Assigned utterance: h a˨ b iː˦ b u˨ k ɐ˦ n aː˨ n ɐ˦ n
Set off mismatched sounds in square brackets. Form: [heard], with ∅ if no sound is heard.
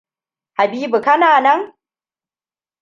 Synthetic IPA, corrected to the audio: h a˨ b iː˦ b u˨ k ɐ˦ n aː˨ n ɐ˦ [ŋ]